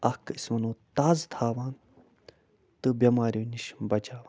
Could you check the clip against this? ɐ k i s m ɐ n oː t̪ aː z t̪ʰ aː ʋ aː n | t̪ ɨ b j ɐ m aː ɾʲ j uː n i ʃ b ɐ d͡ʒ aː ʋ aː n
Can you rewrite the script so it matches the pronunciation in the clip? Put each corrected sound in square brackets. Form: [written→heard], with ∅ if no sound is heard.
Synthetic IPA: ɐ k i s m ɐ n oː t̪ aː z t̪ʰ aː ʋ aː n | t̪ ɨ b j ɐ m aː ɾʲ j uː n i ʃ b ɐ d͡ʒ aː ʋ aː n